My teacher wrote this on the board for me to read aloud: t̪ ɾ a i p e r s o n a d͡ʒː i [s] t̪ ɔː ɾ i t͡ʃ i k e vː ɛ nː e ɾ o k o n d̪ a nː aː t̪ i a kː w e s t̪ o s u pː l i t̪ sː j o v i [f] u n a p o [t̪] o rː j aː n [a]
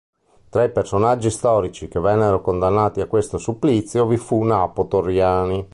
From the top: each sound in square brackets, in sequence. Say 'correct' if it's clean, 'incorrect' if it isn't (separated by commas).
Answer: correct, correct, correct, incorrect